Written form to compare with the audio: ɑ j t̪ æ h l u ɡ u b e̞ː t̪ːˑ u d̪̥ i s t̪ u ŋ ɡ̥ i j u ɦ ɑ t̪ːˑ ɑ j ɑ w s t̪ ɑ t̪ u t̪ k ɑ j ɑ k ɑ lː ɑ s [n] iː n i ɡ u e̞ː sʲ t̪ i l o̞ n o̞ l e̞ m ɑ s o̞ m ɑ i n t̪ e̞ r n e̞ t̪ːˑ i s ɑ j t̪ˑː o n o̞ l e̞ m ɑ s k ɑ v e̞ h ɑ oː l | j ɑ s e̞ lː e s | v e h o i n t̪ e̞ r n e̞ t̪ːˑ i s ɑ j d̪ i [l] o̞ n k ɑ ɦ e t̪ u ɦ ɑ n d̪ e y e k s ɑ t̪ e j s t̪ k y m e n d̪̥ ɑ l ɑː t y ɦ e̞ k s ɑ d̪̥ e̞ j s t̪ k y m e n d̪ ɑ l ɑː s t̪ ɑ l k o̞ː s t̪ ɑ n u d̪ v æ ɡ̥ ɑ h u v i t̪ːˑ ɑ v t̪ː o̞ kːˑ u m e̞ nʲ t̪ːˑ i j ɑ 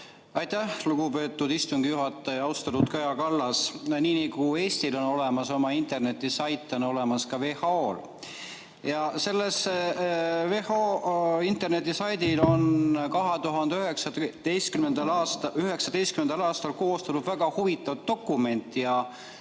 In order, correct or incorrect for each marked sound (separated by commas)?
correct, correct